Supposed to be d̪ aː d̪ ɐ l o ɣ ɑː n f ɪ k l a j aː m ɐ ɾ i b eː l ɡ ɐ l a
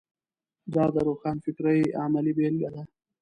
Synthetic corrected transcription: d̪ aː d̪ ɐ ɾ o x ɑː n f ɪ k ɾ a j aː m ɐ l i b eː l ɡ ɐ l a

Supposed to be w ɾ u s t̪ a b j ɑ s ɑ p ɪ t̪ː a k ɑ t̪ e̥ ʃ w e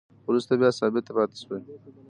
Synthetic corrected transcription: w ɾ u s t̪ a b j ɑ s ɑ b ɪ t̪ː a p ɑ t̪ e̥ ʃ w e

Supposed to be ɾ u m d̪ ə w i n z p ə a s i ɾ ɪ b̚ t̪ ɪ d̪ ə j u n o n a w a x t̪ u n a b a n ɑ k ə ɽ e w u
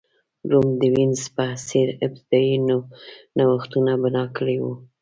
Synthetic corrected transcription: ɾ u m d̪ ə w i n z p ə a s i ɾ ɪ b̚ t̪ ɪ d̪ ɑ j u n o n a w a x t̪ u n a b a n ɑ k ə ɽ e w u

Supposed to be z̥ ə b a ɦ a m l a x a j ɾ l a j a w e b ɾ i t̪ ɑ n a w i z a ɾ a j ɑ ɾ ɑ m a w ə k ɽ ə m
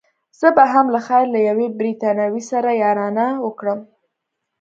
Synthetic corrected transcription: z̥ ə b a ɦ a m l a x a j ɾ l a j a w e b ɾ i t̪ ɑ n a w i s a ɾ a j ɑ ɾ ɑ n a w ə k ɽ ə m

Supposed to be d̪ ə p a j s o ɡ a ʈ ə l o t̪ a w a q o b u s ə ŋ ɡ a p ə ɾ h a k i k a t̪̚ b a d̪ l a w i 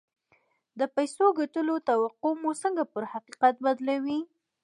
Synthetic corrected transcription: d̪ ə p a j s o ɡ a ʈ ə l o t̪ a w a q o m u s ə ŋ ɡ a p ə ɾ h a q i q a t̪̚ b a d̪ l a w i

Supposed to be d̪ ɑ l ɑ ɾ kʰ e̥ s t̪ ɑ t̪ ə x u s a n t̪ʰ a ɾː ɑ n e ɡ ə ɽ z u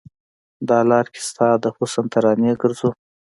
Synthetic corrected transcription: d̪ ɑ l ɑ ɾ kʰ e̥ s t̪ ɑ d̪ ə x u s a n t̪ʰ a ɾ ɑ n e ɡ ə ɾ z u

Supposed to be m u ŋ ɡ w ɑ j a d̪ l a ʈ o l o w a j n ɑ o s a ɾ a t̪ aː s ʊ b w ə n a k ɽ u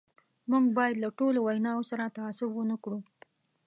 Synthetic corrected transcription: m u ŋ ɡ b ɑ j a d̪ l a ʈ o l o w a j n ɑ o s a ɾ a t̪ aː s ʊ b w ə n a k ɽ u

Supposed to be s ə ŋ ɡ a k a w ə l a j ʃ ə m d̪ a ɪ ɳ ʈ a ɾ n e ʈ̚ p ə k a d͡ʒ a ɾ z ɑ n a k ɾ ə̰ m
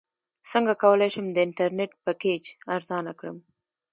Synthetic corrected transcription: s ə ŋ ɡ a k a w ə l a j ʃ ə m d̪ ə ɪ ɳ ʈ a ɾ n e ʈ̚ p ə k e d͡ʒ a ɾ z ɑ n a k ɽ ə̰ m

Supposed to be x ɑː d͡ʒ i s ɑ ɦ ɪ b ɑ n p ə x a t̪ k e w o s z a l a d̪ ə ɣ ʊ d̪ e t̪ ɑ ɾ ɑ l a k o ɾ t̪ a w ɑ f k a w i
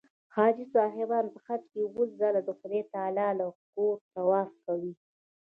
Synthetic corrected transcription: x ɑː d͡ʒ i s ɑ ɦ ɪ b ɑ n p ə x a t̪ k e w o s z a l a d̪ ə x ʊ d̪ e t̪ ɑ l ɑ l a k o ɾ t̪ a w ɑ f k a w i

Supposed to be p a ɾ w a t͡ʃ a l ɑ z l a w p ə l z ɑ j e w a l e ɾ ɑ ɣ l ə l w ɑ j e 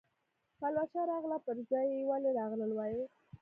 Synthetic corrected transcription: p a l w a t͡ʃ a ɾ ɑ ɣ l a p ə ɾ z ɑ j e w a l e ɾ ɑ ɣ l ə l w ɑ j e

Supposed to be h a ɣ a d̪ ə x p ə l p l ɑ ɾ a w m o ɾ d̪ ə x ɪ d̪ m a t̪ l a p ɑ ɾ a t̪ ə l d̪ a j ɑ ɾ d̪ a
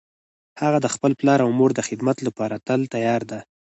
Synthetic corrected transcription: h a ɣ a d̪ ə x p ə l p l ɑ ɾ a w m o ɾ d̪ ə x ɪ d̪ m a t̪ l a p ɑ ɾ a t̪ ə l t̪ a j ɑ ɾ d̪ a

